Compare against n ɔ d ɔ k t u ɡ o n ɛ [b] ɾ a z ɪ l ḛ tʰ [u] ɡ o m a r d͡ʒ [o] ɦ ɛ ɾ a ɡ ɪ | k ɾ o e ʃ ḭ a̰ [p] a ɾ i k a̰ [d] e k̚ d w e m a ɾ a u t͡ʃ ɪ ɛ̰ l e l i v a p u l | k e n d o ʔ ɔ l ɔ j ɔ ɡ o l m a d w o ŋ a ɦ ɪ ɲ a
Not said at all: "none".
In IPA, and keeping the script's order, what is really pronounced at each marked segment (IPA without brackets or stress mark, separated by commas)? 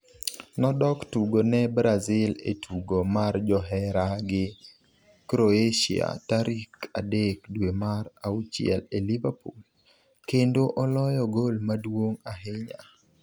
b, u, ɔ, t, d